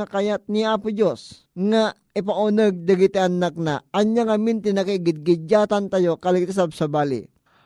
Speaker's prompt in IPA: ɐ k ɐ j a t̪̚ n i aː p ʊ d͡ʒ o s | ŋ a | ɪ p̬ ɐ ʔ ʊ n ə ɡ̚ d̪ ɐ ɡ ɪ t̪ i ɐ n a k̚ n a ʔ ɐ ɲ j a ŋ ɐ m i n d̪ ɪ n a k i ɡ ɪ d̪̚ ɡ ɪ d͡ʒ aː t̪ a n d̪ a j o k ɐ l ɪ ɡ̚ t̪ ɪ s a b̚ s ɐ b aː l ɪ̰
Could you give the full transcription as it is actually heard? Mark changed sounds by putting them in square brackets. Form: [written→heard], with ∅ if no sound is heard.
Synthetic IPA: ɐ k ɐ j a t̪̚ n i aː p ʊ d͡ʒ o s | ŋ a | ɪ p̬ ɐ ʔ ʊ n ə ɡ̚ d̪ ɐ ɡ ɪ t̪ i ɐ n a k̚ n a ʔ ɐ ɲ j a ŋ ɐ m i n [d̪→t̪] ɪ n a k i ɡ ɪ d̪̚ ɡ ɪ d͡ʒ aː t̪ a n [d̪→t̪] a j o k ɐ l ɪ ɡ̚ t̪ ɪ s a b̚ s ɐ b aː l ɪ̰